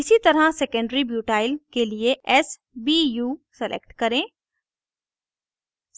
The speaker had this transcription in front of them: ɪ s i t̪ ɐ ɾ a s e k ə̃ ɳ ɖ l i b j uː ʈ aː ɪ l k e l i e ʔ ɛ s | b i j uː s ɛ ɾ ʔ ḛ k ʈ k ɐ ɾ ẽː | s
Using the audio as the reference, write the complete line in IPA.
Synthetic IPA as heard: ɪ s i t̪ ɐ ɾ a s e k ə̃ ɳ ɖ ɾ i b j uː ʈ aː ɪ l k e l i e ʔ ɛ s | b i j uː s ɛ l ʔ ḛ k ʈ k ɐ ɾ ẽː | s